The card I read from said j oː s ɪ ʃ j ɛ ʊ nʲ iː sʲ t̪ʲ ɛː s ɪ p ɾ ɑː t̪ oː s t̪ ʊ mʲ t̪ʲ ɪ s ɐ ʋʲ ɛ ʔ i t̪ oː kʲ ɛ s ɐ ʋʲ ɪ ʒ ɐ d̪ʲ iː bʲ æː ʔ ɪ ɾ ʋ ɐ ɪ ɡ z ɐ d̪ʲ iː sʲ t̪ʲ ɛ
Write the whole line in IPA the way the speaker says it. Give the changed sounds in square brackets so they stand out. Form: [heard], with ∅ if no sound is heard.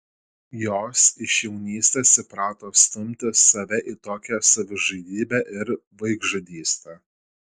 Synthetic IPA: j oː s ɪ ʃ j ɛ ʊ nʲ iː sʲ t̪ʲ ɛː s ɪ p ɾ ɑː t̪ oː s t̪ ʊ mʲ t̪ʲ ɪ s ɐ ʋʲ ɛ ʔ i t̪ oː kʲ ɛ s ɐ ʋʲ ɪ ʒ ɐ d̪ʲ iː bʲ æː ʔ ɪ ɾ ʋ ɐ ɪ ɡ [ʒ] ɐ d̪ʲ iː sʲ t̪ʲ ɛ